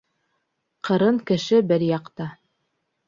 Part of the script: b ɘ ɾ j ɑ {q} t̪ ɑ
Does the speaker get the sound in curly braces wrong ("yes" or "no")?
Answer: no